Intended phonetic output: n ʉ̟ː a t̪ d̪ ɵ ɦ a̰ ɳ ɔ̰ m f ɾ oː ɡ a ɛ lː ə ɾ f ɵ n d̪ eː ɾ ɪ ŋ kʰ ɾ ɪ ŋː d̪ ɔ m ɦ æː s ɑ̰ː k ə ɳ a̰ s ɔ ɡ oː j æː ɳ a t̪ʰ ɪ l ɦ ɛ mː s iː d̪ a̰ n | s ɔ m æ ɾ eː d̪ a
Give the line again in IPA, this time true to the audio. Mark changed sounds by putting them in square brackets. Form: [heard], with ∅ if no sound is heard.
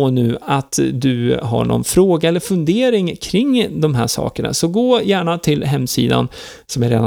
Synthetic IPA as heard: n ʉ̟ː a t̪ d̪ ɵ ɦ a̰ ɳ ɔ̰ [n] f ɾ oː ɡ a ɛ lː ə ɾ f ɵ n d̪ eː ɾ ɪ ŋ kʰ ɾ ɪ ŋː d̪ ɔ m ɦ æː [ʂ] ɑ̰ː k ə ɳ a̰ s ɔ ɡ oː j æː ɳ a t̪ʰ ɪ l ɦ ɛ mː s iː d̪ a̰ n | s ɔ m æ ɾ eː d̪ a